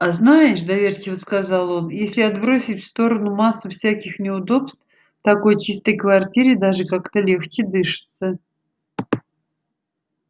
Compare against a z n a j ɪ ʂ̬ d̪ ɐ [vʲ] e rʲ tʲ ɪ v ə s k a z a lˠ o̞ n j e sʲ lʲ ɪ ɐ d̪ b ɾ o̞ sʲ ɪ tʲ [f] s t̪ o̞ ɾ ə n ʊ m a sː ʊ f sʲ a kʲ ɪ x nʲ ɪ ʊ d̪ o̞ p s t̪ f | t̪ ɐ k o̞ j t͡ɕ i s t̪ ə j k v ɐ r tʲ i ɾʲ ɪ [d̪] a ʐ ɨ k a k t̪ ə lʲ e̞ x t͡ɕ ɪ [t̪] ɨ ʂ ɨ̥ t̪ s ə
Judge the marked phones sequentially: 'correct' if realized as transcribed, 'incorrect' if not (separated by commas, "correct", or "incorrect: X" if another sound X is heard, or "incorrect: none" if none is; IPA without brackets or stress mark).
correct, correct, correct, incorrect: d̪